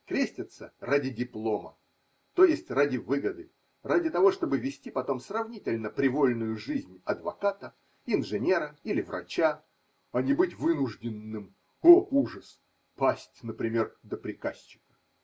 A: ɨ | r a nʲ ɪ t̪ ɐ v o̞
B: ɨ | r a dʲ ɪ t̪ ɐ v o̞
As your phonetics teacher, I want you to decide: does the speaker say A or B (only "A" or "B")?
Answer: B